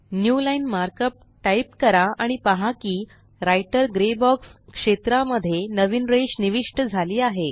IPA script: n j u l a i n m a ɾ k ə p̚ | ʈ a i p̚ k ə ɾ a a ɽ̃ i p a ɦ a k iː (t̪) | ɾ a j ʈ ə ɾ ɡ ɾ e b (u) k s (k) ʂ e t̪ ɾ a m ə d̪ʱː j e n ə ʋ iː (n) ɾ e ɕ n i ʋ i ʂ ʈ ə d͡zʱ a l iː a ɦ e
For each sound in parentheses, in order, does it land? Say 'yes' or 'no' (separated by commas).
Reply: no, no, yes, yes